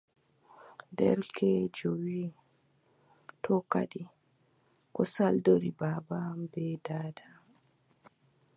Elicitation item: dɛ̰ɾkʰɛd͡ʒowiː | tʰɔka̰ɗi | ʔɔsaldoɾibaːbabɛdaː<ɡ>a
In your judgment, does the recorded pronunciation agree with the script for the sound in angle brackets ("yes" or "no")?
no